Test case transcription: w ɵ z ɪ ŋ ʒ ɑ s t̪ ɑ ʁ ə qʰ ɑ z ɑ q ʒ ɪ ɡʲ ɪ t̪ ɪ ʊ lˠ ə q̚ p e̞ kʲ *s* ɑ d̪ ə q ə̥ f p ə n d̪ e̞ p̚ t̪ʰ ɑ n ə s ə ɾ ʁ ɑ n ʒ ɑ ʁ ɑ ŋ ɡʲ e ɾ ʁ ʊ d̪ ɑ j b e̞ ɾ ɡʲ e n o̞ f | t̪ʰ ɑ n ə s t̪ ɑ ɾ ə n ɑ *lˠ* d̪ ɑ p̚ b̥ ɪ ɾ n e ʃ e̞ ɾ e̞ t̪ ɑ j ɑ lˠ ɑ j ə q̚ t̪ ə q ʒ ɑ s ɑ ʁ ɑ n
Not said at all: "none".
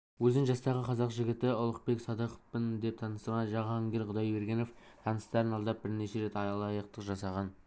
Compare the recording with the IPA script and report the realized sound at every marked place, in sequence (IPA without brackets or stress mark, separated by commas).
s, lˠ